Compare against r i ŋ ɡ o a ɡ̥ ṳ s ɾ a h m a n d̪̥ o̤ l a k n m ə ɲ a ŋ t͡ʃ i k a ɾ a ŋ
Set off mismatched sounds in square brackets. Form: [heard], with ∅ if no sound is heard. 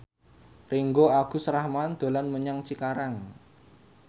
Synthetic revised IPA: r i ŋ ɡ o a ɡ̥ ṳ s ɾ a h m a n d̪̥ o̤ l a [∅] n m ə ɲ a ŋ t͡ʃ i k a ɾ a ŋ